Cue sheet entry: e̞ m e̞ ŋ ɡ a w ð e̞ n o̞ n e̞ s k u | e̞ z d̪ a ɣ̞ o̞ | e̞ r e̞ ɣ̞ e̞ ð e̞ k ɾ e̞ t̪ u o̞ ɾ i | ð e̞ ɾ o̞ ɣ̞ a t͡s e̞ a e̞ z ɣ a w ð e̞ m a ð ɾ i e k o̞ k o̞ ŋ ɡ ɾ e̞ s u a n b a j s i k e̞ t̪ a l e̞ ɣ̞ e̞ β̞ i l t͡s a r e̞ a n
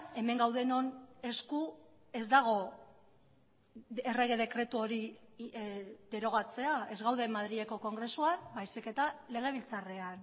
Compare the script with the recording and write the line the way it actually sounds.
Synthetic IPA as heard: e̞ m e̞ ŋ ɡ a w ð e̞ n o̞ n e̞ s k u | e̞ z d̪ a ɣ̞ o̞ | e̞ r e̞ ɣ̞ e̞ ð e̞ k ɾ e̞ t̪ u o̞ ɾ i | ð e̞ ɾ o̞ ɣ̞ a t͡s e̞ a e̞ z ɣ a w ð e̞ m a ð ɾ i e k o̞ k o̞ ŋ ɡ ɾ e̞ s u a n b a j s i k e̞ t̪ a l e̞ ɣ̞ e̞ β̞ i l t͡s a r e̞ a n